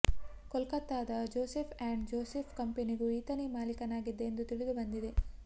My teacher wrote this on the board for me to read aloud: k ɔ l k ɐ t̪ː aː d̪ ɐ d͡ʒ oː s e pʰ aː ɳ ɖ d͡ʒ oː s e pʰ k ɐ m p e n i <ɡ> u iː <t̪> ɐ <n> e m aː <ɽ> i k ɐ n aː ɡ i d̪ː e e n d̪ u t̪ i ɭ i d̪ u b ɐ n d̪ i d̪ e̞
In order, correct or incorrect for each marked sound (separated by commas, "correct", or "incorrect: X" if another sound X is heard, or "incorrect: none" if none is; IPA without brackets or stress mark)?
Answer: correct, correct, correct, incorrect: l